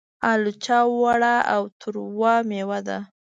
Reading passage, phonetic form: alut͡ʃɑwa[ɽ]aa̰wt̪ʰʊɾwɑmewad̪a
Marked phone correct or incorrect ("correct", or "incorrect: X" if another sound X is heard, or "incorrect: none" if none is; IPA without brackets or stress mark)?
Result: correct